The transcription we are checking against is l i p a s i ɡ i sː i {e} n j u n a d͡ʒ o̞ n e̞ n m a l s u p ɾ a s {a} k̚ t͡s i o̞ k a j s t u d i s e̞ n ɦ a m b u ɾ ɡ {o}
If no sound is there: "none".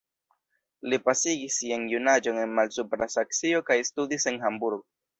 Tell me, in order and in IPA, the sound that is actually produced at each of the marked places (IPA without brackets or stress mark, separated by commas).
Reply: a, a, o